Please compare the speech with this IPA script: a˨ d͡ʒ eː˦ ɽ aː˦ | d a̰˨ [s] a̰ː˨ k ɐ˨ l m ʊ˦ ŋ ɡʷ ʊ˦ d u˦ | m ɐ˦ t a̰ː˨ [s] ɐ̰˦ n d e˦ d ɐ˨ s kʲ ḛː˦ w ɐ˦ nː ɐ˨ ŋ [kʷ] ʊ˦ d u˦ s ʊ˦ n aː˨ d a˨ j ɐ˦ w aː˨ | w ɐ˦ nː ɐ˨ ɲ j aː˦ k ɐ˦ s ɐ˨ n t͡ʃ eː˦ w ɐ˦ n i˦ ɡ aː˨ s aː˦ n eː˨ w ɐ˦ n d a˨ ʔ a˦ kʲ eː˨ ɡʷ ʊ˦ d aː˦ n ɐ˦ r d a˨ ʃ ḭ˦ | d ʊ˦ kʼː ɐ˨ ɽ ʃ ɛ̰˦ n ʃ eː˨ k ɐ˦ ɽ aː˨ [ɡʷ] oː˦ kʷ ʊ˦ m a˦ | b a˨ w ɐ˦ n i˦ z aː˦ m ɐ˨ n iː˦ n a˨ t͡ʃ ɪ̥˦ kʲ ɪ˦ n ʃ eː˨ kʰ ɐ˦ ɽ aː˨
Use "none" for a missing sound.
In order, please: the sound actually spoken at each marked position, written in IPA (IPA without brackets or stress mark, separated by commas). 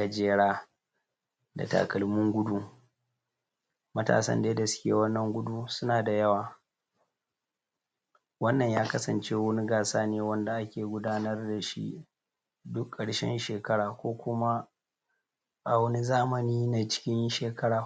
t, s, ɡʷ, kʷ